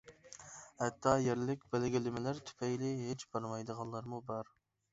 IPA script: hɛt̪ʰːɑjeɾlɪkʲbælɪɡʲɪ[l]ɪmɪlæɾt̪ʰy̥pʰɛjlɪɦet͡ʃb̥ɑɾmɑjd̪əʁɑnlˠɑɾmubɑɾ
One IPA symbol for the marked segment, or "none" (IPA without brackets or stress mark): l